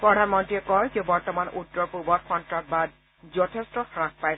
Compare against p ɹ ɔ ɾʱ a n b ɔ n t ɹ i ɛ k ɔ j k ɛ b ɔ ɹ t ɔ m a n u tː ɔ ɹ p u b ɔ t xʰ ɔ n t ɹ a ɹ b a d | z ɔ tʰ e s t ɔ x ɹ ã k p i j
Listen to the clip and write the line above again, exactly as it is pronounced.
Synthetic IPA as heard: p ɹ ɔ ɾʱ a n m ɔ n t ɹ i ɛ k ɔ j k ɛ b ɔ ɹ t ɔ m a n u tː ɔ ɹ p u b ɔ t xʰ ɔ n t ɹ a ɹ b a d | z ɔ tʰ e s t ɔ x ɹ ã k p a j